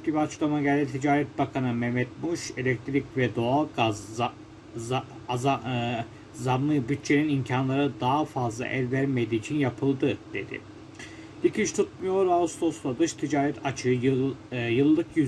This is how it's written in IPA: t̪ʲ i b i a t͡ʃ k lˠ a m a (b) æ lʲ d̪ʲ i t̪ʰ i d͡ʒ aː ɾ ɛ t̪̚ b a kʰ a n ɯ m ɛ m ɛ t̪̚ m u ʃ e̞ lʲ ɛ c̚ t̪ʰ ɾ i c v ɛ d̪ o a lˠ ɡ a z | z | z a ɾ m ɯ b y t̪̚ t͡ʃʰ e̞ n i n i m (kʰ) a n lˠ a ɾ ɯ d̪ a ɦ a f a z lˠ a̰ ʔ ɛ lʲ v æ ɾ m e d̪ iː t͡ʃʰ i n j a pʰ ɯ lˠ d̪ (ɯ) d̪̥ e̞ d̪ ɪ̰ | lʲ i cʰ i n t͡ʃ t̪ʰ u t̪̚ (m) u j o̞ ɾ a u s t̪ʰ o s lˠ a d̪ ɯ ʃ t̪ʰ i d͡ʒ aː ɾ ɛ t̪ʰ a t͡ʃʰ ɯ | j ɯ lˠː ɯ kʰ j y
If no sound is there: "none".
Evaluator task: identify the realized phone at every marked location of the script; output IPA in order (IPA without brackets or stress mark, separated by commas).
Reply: ɟ, cʰ, ɯ, m